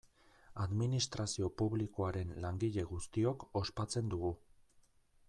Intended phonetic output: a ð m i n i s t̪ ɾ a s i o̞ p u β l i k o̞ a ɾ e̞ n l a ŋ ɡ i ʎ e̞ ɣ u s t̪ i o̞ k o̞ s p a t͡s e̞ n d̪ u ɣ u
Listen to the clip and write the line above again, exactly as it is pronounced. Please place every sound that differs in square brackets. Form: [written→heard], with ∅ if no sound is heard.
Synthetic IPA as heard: a ð m i n i s t̪ ɾ a s i o̞ p u β l i k o̞ a ɾ e̞ n l a ŋ ɡ i ʎ e̞ ɣ u s t̪ i o̞ k o̞ s p a t͡s e̞ n d̪ u ɣ u